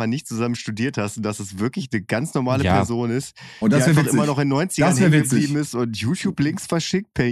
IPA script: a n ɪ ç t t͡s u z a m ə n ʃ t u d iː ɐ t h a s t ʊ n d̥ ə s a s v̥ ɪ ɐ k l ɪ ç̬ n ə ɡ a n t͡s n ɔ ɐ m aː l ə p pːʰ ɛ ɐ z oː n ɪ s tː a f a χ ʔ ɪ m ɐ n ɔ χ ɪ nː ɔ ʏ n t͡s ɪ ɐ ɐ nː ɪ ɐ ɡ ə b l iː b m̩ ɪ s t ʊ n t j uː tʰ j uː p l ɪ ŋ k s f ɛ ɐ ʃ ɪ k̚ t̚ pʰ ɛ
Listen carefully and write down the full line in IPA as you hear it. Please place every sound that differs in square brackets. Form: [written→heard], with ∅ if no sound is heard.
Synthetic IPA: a n ɪ ç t t͡s u z a m ə n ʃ t u d iː ɐ t h a s t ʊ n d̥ [ə→a] s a s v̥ ɪ ɐ k l ɪ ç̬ n ə ɡ a n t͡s n ɔ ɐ m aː l ə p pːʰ ɛ ɐ z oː n ɪ s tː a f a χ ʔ ɪ m ɐ n ɔ χ ɪ nː ɔ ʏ n t͡s ɪ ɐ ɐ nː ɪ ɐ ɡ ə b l iː b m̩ ɪ s t ʊ n t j uː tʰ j uː p l ɪ ŋ k s f ɛ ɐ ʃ ɪ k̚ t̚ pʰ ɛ